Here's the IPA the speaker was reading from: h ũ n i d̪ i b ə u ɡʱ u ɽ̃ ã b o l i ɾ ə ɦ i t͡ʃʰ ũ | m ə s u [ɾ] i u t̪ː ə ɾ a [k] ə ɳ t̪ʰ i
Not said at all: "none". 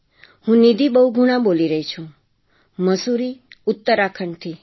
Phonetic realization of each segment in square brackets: ɾ, kʰ

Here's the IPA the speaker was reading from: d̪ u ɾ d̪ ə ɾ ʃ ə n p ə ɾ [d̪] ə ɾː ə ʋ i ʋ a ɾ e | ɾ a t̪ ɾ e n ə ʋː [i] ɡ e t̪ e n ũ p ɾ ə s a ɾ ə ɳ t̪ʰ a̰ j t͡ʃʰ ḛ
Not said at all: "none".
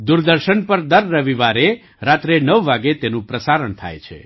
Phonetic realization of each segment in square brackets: d̪, a

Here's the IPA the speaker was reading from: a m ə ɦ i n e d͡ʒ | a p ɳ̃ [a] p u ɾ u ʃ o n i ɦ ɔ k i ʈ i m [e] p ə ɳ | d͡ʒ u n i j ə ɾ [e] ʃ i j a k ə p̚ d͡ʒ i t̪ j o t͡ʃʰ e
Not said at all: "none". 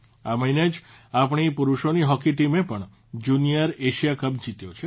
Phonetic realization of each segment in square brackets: i, e, e

